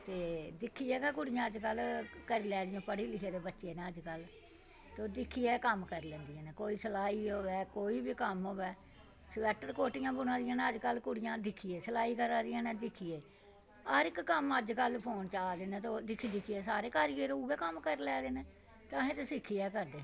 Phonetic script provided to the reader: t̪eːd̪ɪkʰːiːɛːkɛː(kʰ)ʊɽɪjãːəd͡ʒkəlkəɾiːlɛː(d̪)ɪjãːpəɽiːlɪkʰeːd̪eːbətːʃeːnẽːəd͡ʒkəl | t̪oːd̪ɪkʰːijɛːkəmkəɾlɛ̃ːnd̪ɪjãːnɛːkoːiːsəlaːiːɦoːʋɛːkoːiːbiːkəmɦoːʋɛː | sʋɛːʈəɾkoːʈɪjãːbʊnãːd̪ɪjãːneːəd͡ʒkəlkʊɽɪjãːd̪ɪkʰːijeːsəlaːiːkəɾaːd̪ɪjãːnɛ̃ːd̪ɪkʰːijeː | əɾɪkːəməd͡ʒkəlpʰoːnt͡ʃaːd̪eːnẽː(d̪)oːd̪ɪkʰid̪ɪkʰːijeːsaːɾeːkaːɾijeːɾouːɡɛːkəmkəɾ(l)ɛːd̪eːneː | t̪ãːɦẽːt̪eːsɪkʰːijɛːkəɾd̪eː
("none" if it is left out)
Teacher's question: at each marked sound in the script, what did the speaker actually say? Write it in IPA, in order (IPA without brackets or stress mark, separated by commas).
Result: k, d̪, t̪, l